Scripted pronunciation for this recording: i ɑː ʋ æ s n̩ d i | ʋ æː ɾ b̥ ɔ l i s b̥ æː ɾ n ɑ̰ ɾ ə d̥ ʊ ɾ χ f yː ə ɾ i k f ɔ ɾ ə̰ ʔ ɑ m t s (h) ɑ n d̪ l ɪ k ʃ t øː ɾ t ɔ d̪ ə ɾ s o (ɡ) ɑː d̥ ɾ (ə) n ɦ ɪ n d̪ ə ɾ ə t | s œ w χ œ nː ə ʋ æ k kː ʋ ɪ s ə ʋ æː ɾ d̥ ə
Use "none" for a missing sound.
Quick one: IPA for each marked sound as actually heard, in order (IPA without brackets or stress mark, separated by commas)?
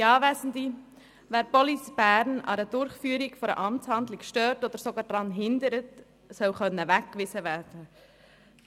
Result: h, ɡ, ɑ